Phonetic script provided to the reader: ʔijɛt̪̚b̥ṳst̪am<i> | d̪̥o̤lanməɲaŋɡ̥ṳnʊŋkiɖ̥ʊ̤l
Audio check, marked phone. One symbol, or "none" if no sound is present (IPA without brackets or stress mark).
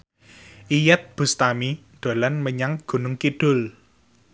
i